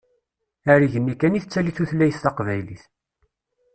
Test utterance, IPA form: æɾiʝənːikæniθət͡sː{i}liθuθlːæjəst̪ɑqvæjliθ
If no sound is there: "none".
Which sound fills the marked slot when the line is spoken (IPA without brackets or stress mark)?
æ